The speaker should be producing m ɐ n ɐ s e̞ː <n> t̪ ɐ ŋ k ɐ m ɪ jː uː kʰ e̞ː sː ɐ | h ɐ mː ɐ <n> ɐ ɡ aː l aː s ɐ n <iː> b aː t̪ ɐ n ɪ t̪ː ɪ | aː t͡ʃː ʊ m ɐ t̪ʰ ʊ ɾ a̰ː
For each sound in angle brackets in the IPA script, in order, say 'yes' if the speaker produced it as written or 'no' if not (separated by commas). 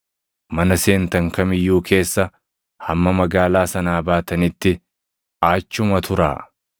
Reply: yes, no, no